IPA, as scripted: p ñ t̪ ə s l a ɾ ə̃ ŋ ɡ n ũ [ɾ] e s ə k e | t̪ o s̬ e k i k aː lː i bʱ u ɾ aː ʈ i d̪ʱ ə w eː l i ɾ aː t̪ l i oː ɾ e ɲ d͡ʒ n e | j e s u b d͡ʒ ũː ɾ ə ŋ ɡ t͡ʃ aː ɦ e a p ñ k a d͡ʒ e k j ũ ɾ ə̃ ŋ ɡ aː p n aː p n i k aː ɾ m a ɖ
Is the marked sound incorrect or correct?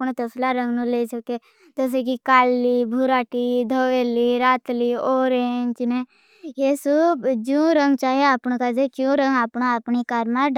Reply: incorrect